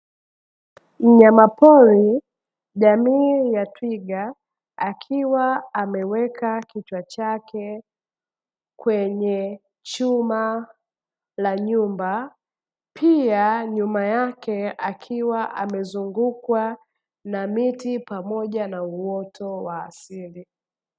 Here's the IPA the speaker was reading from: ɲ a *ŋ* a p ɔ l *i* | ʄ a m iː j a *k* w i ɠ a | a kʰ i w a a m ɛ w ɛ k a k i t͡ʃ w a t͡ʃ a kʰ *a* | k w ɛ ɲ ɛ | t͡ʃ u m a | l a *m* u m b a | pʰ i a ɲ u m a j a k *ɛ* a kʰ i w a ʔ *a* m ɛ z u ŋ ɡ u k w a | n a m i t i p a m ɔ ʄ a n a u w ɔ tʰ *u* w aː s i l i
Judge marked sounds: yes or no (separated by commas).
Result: no, yes, no, no, no, yes, yes, no